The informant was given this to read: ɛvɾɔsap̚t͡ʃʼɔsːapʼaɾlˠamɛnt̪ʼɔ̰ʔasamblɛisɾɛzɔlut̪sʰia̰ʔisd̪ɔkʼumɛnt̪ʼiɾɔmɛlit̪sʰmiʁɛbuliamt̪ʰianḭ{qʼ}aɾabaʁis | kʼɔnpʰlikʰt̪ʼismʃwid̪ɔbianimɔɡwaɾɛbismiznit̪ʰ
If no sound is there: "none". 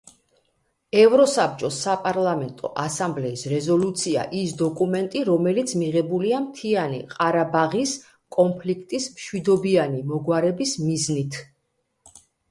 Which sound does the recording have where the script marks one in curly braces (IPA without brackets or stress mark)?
qʼ